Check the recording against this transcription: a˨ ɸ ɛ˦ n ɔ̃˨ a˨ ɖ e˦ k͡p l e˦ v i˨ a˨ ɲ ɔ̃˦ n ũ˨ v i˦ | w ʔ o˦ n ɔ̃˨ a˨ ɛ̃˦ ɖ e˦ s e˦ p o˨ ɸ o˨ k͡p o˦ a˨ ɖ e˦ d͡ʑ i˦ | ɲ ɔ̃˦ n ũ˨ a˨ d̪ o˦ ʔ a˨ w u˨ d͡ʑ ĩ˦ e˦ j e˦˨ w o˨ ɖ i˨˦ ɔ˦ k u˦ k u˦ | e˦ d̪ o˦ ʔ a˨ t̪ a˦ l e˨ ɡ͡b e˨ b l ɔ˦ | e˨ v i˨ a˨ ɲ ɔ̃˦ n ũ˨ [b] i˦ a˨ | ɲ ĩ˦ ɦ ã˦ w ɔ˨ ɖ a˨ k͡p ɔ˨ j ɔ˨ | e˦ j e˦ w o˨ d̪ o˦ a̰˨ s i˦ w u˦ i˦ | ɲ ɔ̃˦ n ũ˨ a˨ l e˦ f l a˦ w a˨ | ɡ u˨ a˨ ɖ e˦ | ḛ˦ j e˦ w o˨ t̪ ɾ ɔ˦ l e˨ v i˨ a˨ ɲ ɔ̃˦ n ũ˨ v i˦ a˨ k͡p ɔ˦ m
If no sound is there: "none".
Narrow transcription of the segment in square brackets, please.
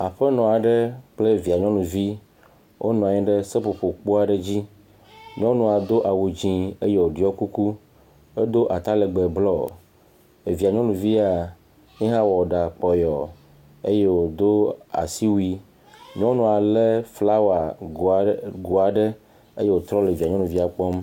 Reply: v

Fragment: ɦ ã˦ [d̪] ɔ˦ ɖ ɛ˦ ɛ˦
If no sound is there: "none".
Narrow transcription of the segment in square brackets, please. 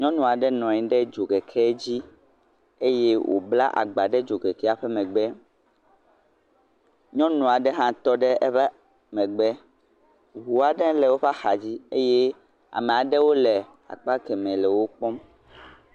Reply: t̪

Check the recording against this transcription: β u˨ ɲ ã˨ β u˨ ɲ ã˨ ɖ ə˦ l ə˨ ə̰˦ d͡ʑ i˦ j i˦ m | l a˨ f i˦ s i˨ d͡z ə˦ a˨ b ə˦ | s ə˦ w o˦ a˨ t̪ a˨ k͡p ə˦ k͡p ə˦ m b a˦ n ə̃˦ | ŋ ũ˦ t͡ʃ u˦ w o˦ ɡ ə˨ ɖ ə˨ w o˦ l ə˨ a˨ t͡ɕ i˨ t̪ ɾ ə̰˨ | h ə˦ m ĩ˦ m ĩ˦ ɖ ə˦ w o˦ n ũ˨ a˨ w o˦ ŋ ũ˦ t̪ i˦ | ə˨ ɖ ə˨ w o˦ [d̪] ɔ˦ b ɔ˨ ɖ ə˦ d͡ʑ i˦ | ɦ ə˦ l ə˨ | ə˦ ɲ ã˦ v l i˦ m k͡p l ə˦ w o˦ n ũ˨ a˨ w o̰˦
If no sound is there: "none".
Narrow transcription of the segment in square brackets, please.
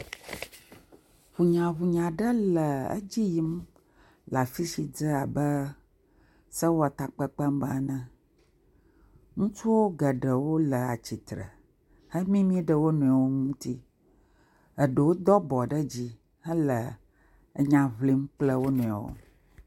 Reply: d̪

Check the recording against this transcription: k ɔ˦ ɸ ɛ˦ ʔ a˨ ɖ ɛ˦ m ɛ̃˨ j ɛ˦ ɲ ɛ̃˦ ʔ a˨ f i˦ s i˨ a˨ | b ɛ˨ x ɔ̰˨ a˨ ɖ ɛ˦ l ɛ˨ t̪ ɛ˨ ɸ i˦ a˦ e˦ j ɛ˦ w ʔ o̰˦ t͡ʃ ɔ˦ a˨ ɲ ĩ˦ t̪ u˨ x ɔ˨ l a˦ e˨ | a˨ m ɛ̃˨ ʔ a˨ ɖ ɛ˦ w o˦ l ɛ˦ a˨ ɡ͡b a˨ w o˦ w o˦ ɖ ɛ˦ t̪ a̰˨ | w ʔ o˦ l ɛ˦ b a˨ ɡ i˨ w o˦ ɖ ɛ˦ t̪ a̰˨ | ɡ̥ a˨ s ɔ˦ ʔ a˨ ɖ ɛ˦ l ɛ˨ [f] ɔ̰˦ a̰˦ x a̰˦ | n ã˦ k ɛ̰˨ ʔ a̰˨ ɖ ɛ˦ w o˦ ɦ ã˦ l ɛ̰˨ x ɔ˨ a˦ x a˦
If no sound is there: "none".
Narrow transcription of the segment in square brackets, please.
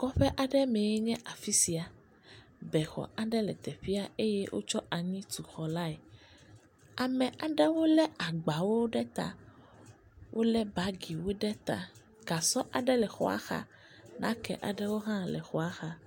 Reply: x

